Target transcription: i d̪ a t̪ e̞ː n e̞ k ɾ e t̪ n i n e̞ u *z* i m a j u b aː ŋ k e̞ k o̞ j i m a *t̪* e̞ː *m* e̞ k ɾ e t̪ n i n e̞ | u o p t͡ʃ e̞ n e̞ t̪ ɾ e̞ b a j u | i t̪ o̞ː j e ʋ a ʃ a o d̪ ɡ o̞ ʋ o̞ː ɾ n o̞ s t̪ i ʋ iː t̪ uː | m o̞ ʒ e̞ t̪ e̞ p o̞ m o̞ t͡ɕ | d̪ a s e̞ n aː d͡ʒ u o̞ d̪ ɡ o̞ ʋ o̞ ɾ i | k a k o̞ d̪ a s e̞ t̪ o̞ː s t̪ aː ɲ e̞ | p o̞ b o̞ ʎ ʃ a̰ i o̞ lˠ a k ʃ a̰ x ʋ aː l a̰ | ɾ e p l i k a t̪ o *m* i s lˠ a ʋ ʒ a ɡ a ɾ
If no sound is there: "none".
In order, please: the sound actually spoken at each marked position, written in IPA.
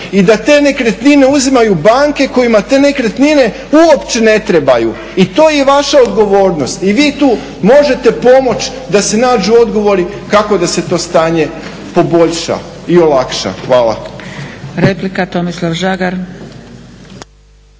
z, t̪, n, m

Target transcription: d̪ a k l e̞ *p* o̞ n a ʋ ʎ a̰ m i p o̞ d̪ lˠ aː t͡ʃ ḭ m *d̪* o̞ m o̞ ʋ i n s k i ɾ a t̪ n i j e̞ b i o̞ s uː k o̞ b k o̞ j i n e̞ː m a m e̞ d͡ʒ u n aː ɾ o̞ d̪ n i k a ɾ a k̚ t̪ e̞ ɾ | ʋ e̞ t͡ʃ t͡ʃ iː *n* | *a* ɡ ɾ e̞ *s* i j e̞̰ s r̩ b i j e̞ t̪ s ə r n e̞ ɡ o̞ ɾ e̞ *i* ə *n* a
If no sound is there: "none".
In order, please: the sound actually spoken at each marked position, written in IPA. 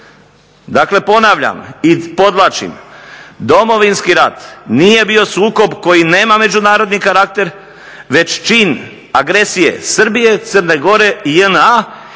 p, d̪, n, a, s, i, n

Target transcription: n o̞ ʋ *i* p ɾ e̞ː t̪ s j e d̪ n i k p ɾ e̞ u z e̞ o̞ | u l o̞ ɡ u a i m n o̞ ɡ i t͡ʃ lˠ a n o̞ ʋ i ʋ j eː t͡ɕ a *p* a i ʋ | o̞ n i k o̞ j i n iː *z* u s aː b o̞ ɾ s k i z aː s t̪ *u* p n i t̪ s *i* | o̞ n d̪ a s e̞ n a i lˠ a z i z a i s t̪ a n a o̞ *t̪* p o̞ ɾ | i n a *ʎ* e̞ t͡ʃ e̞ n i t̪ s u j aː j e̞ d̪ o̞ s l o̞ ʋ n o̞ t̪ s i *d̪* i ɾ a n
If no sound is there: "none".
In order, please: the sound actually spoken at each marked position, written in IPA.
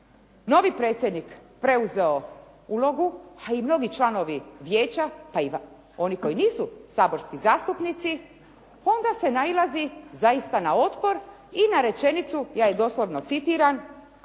i, p, s, u, i, t̪, ɾ, t̪

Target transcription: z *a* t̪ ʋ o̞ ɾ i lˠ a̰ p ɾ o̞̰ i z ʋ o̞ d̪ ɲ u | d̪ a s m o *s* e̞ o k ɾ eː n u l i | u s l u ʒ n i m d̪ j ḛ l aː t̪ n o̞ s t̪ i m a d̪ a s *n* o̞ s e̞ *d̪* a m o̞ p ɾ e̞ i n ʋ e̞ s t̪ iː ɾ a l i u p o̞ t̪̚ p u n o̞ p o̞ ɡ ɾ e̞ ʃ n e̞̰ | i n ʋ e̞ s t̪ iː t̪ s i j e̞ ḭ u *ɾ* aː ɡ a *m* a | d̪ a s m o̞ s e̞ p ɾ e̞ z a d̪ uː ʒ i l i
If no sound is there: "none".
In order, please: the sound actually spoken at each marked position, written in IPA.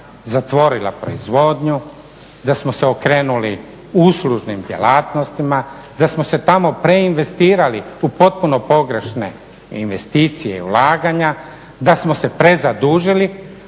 a, s, m, t̪, l, ɲ

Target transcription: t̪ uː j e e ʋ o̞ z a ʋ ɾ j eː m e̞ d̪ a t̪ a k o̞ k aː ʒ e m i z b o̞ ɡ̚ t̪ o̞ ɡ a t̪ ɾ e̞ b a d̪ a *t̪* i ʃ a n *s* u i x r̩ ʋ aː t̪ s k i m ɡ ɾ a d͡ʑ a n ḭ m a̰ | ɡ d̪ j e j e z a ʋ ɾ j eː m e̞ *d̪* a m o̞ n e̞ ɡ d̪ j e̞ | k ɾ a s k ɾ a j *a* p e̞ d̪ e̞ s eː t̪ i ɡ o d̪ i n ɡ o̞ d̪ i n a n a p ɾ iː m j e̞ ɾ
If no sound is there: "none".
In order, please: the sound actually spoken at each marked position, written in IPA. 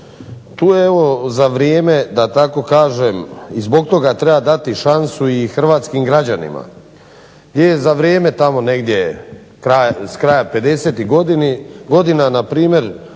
t̪, s, t̪, a

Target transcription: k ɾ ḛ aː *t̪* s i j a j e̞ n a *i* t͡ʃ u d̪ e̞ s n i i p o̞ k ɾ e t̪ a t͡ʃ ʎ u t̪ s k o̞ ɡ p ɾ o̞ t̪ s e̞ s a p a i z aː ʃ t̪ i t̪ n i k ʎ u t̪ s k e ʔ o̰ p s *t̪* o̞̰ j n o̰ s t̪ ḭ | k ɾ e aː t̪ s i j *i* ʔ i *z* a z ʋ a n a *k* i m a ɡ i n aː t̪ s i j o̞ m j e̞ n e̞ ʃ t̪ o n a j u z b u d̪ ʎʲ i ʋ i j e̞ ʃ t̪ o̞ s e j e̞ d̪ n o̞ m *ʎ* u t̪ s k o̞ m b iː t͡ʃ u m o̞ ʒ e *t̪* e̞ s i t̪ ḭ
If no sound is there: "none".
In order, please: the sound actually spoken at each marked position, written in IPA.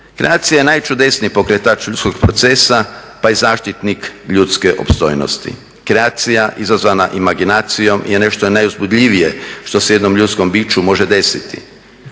t̪, j, t̪, a, z, ʔ, ʎ, d̪

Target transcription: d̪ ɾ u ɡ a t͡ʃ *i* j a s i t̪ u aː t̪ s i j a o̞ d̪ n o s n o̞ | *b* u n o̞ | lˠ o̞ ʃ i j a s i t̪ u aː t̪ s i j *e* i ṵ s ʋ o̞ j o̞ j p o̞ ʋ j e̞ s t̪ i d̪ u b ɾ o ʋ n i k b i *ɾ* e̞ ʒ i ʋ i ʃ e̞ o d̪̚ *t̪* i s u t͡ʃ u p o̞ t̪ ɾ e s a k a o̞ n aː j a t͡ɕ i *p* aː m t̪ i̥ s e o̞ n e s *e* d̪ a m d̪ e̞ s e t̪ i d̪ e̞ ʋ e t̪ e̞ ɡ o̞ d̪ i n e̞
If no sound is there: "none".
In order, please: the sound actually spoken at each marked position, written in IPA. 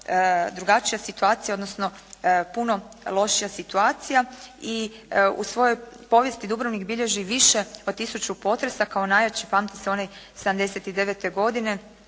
i, p, a, ʎ, t̪, p, e

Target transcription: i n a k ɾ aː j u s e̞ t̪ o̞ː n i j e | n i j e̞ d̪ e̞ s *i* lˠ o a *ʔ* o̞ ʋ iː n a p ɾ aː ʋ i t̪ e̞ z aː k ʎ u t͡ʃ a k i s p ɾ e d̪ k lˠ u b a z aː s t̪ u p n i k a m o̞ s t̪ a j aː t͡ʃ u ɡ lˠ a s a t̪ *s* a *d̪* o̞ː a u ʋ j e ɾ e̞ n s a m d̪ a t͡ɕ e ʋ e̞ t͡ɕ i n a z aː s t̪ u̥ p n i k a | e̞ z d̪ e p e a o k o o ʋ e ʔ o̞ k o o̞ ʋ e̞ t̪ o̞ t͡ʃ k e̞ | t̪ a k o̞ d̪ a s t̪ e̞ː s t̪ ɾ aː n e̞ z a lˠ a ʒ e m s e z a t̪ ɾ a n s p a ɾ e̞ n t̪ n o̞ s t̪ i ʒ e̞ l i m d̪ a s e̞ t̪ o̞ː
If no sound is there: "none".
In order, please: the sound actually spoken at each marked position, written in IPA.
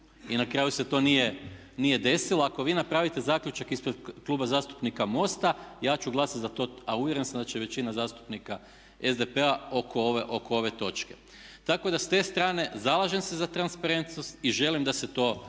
i, k, z, t̪

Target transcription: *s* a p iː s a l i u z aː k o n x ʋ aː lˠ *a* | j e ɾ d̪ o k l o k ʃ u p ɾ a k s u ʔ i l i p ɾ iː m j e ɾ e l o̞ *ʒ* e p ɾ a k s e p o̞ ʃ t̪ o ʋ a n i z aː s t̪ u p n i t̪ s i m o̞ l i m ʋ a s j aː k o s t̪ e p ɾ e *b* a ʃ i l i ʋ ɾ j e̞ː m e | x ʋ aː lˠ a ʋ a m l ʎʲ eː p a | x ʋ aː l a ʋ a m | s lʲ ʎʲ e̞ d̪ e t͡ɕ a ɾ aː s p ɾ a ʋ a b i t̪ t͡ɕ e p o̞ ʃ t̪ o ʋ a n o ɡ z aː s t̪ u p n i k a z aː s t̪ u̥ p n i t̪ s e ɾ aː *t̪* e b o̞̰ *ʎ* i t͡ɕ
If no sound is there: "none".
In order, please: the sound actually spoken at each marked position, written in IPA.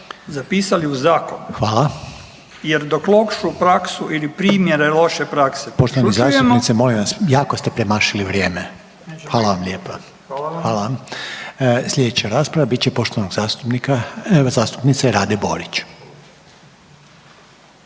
z, a, ʃ, m, d̪, ɾ

